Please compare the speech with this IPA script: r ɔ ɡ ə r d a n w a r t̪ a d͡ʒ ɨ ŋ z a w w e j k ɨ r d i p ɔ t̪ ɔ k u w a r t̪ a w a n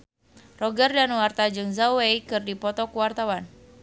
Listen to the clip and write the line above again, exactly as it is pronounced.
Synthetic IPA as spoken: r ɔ ɡ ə r d a n w a r t̪ a d͡ʒ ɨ ŋ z a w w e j k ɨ r d i p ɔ t̪ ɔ k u w a r t̪ a w a n